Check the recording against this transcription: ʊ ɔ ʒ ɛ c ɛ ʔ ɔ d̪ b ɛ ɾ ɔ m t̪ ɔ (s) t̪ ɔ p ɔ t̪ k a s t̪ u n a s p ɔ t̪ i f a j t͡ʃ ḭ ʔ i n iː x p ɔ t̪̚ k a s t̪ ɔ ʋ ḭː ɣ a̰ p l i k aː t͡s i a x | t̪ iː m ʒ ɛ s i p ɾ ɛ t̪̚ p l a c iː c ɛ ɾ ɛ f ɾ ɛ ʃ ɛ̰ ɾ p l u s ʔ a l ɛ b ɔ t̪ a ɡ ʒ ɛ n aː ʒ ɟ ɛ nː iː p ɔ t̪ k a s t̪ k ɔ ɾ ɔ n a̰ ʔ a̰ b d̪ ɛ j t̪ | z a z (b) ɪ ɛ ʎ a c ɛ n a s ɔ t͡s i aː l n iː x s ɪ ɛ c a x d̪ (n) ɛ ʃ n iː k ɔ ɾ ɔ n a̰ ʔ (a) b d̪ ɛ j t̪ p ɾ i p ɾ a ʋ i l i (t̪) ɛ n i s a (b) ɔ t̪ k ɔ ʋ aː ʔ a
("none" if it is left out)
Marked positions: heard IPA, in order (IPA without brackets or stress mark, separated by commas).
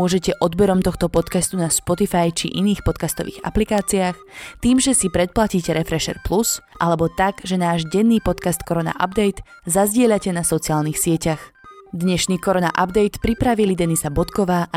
x, ɟ, ɲ, a, d̪, b